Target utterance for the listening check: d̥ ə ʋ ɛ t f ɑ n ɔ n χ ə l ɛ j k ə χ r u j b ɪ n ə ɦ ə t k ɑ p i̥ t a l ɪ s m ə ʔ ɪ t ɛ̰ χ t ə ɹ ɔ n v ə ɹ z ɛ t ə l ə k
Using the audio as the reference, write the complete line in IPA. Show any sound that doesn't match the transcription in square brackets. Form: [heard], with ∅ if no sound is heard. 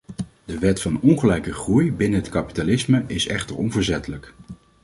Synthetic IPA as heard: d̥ ə ʋ ɛ t f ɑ n ɔ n χ ə l ɛ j k ə χ r u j b ɪ n ə ɦ ə t k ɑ p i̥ t a l ɪ s m ə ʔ ɪ [s] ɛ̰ χ t ə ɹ ɔ n v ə ɹ z ɛ t ə l ə k